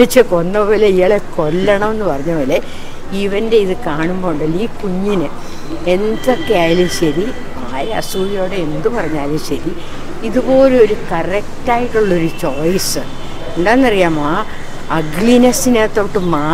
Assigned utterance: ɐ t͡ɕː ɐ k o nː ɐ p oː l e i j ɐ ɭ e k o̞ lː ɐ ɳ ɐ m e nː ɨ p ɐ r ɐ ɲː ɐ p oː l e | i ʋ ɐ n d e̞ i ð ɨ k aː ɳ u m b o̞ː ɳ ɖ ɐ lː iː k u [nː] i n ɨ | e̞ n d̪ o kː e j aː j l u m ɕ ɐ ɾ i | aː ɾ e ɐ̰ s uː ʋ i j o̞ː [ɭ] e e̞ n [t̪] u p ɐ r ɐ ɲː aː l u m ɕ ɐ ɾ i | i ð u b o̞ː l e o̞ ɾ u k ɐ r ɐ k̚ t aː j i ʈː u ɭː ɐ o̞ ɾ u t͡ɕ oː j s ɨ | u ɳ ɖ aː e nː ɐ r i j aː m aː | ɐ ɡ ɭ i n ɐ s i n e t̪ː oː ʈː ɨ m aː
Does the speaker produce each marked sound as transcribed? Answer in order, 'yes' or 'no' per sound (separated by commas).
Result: no, no, no